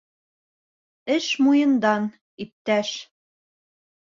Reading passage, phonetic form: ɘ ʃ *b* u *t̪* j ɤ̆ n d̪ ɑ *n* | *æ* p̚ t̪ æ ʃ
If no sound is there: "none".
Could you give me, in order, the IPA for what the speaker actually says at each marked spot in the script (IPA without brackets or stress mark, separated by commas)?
m, none, n, i